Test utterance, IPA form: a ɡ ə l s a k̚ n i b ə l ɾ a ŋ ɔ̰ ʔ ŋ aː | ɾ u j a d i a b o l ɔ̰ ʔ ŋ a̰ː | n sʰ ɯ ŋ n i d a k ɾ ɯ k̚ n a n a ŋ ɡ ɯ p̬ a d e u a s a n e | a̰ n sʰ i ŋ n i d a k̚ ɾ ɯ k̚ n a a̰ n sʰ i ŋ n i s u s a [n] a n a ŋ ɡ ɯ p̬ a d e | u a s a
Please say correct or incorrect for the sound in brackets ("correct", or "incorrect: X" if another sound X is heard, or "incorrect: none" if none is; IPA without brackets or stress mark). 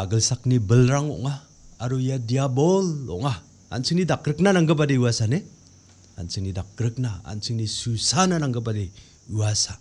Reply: correct